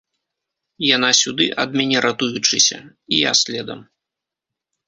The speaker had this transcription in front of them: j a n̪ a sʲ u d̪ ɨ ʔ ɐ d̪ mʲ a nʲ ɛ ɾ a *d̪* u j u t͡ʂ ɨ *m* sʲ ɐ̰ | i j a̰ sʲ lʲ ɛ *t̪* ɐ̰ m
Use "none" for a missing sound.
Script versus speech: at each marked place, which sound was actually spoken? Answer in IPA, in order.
t̪, none, d̪

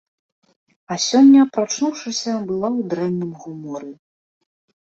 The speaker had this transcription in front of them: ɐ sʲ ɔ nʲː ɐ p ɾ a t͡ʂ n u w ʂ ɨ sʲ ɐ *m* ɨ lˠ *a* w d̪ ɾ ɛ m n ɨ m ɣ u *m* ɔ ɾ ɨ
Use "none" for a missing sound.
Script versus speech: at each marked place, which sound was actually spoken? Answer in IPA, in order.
b, a, m

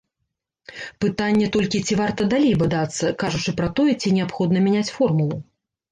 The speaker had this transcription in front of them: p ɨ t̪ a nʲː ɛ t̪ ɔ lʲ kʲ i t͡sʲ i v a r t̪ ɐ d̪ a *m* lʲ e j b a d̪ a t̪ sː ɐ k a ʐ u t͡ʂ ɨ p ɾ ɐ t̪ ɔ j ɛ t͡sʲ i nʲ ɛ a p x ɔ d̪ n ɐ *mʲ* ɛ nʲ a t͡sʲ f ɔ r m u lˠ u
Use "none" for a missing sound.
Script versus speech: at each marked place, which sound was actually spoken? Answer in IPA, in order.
none, mʲ

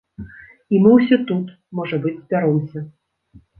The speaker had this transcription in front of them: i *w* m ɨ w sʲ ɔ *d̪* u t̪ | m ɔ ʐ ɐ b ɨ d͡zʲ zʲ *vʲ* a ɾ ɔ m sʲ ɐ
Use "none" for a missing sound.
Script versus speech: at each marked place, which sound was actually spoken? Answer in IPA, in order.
none, t̪, bʲ

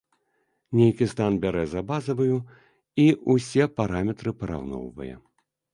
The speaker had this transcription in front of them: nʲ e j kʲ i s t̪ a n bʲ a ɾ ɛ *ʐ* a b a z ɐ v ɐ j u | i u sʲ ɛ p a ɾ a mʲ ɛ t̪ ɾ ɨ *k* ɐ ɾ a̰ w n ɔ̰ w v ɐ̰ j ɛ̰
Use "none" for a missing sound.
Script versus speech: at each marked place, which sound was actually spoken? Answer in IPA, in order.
z, p

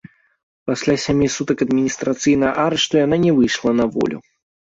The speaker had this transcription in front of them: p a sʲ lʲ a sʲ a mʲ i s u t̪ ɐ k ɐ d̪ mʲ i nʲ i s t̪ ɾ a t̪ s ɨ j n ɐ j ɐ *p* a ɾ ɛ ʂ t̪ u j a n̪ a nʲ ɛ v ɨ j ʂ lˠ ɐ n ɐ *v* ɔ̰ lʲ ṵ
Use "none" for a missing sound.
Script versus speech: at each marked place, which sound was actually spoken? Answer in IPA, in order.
ʔ, v

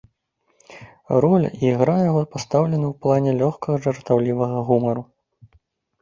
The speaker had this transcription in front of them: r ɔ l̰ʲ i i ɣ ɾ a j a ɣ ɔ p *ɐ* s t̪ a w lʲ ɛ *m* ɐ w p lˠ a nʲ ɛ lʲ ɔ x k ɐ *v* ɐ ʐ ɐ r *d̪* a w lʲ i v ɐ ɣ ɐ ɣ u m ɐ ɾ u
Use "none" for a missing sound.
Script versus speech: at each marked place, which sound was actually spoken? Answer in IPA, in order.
a, n, ɣ, t̪

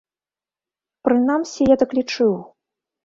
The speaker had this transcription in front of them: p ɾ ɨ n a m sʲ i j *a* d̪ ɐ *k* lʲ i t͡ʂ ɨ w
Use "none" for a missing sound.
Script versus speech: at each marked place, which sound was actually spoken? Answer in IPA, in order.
a, k

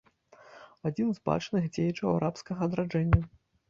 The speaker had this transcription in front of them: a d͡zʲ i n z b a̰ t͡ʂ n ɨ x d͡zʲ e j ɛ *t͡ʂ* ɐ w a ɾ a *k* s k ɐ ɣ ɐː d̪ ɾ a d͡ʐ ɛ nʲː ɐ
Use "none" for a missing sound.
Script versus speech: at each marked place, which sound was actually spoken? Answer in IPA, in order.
t͡ʂ, p

